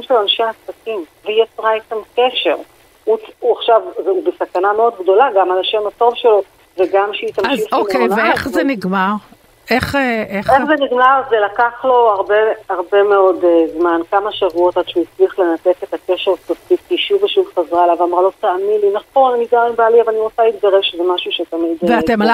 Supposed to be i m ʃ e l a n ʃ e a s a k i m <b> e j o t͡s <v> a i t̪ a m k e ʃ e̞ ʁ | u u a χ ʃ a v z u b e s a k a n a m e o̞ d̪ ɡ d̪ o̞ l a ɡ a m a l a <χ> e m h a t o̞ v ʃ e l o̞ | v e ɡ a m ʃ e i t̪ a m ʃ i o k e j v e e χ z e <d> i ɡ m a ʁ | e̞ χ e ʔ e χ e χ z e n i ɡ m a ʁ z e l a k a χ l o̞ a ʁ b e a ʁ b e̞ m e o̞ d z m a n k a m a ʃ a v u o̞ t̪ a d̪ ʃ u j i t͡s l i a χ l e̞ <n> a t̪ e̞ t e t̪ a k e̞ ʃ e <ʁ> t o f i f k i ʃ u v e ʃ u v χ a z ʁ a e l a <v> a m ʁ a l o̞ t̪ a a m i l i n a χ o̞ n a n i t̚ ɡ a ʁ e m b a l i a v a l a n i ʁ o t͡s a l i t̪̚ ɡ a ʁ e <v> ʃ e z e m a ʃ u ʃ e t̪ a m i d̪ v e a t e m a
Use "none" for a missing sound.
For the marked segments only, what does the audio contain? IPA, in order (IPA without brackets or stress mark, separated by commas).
v, ʁ, ʃ, n, n, ʁ, v, v